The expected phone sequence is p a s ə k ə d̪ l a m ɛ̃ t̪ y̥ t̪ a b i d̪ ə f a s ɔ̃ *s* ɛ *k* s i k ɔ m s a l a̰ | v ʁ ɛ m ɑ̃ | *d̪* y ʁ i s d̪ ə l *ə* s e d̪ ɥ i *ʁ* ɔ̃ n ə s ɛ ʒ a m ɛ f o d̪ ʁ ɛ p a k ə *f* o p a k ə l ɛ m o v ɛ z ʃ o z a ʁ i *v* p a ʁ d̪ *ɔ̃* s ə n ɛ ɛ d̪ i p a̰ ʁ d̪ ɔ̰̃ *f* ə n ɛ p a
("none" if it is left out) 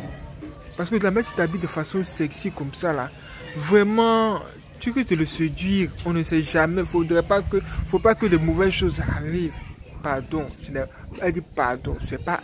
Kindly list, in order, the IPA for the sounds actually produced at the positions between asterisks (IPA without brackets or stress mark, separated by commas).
s, k, t̪, ə, ʁ, f, v, ɔ̃, s